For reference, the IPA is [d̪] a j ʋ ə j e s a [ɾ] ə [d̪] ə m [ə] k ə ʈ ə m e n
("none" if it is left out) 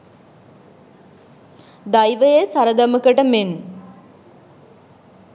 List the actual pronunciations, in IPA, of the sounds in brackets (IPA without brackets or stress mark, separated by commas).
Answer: d̪, ɾ, d̪, ə